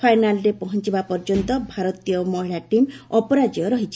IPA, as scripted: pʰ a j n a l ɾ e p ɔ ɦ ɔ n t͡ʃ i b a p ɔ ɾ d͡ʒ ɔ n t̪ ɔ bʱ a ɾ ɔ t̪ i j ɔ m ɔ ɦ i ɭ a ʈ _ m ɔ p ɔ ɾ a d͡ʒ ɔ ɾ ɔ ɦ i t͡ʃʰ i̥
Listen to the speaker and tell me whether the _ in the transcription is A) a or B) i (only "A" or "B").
B